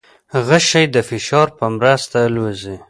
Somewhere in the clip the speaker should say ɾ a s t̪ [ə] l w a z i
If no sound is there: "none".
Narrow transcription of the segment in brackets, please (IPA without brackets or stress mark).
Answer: a